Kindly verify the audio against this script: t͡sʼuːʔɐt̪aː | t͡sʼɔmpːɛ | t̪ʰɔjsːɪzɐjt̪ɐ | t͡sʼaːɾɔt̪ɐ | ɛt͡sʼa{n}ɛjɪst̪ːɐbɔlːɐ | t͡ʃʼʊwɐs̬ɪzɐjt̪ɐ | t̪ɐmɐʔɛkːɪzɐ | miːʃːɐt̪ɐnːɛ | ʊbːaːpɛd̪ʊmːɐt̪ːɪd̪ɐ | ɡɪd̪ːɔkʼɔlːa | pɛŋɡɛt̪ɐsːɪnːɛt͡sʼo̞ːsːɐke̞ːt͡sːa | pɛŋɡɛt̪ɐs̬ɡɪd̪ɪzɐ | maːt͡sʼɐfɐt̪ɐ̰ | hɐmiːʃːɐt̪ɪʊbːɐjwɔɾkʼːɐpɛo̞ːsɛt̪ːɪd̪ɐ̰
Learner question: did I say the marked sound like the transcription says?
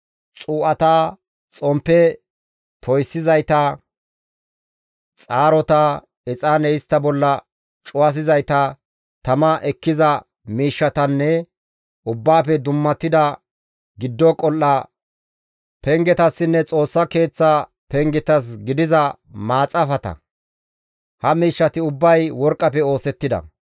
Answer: yes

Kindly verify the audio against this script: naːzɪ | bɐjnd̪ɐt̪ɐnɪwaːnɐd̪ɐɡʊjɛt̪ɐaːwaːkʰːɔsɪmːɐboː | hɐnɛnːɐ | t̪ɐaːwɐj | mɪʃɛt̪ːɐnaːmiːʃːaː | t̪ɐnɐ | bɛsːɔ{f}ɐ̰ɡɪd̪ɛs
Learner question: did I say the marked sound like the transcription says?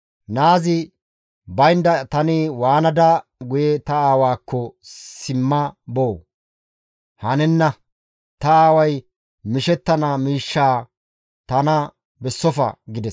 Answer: yes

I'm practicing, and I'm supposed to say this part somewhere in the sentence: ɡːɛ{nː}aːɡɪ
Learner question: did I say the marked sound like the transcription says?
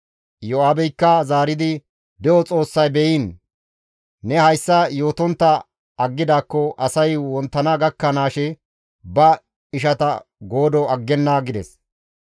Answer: yes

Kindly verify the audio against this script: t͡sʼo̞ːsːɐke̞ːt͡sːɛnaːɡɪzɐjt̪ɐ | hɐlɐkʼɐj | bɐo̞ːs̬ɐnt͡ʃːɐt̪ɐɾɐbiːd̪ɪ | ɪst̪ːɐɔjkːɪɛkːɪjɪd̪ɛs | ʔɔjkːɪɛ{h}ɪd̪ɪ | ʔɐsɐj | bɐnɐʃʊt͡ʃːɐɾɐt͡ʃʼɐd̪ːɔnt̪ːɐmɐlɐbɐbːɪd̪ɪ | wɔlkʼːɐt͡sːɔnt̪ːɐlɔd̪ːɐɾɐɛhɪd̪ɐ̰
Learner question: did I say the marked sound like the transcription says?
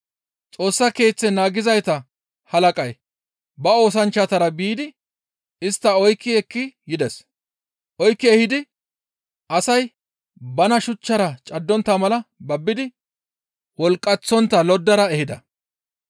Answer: yes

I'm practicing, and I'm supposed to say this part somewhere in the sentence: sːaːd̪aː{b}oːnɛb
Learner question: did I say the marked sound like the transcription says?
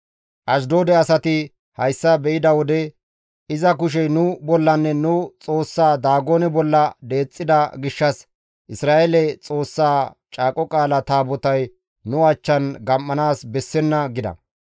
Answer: no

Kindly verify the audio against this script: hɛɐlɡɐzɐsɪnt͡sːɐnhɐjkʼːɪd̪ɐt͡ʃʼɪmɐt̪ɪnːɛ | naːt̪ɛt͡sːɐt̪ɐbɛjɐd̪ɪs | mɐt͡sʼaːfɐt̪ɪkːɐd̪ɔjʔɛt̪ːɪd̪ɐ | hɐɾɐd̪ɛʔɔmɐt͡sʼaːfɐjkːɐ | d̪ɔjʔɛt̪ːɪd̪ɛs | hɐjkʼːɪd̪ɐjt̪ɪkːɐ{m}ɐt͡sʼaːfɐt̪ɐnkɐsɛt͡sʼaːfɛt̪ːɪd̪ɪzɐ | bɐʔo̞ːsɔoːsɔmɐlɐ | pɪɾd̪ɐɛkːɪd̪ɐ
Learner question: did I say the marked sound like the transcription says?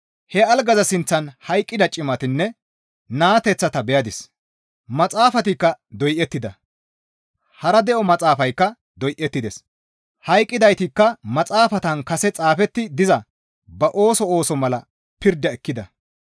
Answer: yes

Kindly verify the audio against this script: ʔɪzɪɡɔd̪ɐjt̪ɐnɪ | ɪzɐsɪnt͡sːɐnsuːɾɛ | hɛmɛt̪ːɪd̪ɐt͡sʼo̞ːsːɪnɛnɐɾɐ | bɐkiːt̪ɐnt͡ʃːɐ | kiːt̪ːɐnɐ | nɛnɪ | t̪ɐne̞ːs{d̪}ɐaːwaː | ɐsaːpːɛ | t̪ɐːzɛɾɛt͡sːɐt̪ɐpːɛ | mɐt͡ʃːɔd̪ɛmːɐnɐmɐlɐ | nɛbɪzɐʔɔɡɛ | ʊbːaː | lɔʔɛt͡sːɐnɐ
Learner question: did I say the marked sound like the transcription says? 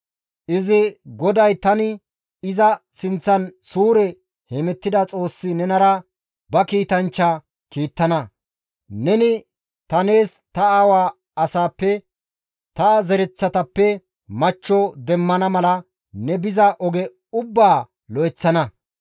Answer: no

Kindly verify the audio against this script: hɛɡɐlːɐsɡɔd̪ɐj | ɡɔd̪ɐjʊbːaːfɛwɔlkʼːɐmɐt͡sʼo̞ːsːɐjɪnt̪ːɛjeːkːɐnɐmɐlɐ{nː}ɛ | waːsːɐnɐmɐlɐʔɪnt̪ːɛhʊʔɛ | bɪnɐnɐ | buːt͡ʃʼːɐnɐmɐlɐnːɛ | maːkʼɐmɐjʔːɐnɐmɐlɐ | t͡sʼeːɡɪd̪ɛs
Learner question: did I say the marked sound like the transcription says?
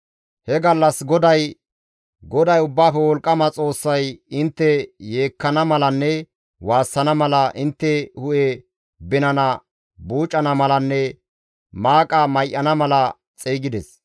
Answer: yes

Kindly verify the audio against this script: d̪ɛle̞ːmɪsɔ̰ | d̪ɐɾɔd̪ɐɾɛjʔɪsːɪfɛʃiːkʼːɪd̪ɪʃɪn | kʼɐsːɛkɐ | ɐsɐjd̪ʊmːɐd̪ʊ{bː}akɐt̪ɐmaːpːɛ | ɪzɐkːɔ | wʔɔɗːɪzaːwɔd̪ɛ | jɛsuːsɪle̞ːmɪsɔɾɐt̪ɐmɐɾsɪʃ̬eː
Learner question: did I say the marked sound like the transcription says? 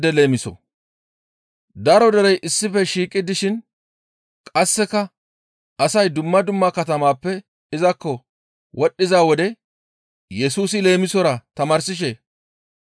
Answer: no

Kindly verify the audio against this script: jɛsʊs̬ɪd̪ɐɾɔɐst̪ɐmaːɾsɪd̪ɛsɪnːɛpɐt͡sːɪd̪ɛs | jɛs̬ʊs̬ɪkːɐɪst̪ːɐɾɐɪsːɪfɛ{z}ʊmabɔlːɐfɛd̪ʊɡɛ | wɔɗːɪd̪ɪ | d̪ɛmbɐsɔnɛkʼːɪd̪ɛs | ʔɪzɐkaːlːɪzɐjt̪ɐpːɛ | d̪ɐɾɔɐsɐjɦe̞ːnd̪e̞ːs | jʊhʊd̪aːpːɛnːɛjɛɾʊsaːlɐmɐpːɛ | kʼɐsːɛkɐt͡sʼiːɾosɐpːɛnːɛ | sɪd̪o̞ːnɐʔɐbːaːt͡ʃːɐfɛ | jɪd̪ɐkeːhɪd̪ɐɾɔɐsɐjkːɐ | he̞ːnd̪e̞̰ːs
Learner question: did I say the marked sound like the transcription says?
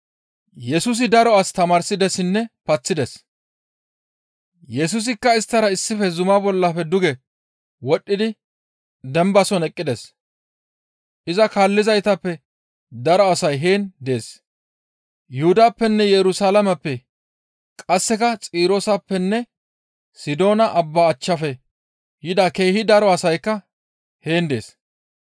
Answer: yes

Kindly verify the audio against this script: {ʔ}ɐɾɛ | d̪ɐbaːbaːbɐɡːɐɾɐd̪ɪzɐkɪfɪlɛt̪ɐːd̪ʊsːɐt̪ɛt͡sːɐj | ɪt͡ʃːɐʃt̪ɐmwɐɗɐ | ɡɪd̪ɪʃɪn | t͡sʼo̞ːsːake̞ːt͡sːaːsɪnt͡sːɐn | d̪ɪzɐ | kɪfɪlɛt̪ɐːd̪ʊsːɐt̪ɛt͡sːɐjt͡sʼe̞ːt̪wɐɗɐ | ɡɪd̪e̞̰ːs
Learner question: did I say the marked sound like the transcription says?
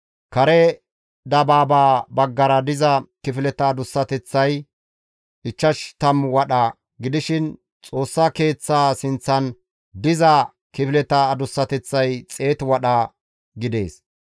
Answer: no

